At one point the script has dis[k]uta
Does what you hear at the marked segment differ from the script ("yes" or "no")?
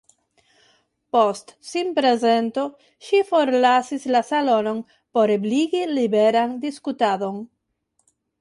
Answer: no